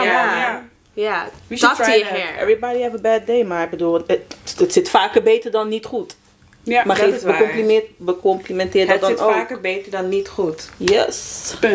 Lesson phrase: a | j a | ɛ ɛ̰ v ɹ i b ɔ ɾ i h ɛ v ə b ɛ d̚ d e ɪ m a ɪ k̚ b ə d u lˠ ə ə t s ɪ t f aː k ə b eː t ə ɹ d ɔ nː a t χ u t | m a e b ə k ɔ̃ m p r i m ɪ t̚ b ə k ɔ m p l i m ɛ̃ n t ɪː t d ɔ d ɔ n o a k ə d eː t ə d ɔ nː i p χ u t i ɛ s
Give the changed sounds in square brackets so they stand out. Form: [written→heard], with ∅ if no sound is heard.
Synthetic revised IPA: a | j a | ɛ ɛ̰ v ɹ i b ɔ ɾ i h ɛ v ə b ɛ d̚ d e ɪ m a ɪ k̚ b ə d u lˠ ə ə t s ɪ t f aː k ə b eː t ə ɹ d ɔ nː [a→i] t χ u t | m a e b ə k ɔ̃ m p [r→l] i m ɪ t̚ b ə k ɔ m p l i m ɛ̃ n t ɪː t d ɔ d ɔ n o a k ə [d→b] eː t ə d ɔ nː i [p→t] χ u t [i→j] ɛ s